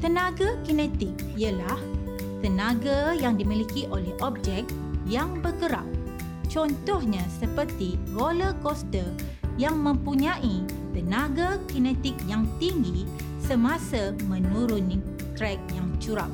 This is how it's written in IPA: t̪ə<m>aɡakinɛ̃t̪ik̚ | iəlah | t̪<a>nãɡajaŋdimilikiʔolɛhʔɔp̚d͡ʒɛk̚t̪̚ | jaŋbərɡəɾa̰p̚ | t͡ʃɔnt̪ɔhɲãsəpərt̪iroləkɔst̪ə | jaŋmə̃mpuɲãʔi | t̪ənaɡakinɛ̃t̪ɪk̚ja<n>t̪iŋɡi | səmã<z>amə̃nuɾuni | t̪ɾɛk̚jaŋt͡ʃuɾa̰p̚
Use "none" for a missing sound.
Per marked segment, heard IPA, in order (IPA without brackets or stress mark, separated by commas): n, ə, ŋ, s